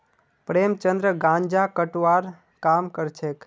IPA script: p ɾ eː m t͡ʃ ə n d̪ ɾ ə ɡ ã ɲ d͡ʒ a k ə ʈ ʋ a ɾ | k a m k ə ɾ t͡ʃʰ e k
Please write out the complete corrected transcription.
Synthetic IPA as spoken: p ɾ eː m t͡ʃ ə n d̪ ɾ ə ɡ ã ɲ d͡ʒ a k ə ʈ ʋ a ɾ | k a m k ə ɾ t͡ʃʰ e k